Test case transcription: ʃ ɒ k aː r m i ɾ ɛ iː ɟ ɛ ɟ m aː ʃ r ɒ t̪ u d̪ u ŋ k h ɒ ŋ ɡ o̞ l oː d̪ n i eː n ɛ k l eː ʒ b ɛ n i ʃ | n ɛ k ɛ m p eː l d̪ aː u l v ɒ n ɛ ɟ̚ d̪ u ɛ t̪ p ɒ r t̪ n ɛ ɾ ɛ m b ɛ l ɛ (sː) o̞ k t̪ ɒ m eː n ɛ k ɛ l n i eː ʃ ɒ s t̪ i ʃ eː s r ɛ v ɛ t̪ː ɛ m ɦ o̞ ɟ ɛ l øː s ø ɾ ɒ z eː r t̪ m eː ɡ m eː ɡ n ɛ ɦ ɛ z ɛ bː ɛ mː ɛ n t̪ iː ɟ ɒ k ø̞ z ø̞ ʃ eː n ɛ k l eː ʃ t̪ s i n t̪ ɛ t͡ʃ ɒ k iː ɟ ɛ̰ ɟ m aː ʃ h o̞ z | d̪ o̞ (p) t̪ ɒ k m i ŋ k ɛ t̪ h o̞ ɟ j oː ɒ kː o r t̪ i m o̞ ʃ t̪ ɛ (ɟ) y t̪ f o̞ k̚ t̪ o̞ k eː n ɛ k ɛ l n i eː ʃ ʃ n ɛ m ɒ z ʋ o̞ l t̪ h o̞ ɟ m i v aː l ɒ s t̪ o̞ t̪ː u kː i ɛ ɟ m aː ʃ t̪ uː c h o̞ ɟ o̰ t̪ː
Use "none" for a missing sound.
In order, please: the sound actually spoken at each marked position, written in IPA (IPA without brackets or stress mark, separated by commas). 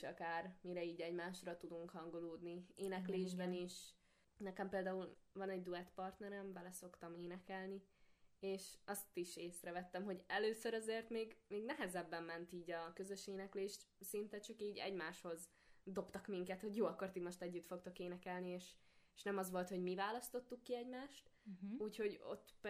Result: s, p, ɟː